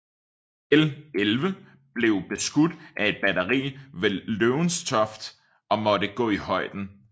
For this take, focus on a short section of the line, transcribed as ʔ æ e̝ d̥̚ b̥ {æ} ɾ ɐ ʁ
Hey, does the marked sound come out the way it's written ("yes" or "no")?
yes